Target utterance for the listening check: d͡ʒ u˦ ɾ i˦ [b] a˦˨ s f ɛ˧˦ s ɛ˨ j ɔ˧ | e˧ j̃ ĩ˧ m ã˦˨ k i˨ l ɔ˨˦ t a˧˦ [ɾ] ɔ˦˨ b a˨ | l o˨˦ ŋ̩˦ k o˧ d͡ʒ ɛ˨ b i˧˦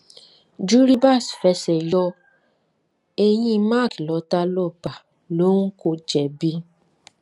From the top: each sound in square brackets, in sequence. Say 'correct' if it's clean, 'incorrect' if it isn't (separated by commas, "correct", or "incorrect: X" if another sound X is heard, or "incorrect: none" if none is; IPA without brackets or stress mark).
correct, incorrect: l